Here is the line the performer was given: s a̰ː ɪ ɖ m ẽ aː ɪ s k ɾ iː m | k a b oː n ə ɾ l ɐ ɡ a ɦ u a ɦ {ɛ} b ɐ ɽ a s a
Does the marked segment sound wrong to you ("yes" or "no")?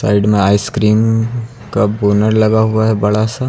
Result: no